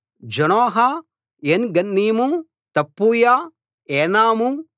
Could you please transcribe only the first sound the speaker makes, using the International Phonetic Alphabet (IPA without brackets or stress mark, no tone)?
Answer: d͡ʒ